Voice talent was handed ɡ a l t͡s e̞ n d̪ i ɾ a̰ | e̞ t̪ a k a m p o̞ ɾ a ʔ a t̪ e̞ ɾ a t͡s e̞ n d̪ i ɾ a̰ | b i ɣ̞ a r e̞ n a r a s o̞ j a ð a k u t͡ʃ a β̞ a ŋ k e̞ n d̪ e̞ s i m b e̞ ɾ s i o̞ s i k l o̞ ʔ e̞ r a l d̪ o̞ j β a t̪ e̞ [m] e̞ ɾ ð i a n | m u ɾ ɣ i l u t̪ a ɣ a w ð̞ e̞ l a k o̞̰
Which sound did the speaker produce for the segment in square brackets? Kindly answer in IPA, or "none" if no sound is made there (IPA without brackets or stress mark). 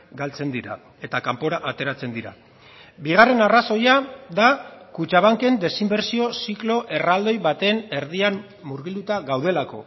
n